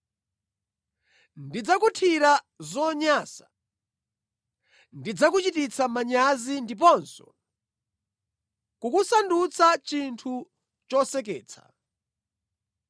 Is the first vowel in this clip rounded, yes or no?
no